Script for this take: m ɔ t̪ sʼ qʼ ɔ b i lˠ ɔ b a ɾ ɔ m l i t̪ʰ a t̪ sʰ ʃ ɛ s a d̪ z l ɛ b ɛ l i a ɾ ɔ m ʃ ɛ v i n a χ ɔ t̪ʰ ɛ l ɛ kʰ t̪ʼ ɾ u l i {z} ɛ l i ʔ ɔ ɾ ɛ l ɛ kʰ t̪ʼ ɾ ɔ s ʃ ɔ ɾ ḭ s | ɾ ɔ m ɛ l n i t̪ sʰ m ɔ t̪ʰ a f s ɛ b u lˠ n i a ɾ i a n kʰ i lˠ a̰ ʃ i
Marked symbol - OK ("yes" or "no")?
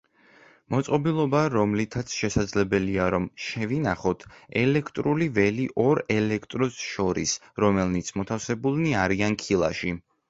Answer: no